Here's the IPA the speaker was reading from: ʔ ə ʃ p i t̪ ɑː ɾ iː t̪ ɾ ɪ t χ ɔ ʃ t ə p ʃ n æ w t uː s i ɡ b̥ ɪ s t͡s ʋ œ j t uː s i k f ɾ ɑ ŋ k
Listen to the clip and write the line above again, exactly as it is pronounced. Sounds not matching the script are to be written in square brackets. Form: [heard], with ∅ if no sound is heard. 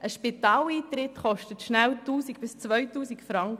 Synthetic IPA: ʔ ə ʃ p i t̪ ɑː [l] iː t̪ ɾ ɪ t χ ɔ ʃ t ə [t] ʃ n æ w t uː s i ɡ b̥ ɪ s t͡s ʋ œ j t uː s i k f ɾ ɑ ŋ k